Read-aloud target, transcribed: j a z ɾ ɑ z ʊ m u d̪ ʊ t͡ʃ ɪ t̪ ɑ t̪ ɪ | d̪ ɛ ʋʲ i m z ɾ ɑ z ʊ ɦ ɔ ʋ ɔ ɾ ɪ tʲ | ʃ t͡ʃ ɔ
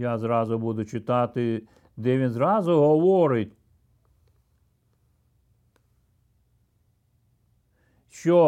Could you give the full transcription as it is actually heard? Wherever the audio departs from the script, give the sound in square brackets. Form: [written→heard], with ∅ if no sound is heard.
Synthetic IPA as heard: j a z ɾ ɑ z ʊ [m→b] u d̪ ʊ t͡ʃ ɪ t̪ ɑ t̪ ɪ | d̪ ɛ ʋʲ i [m→n] z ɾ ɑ z ʊ ɦ ɔ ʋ ɔ ɾ ɪ tʲ | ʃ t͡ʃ ɔ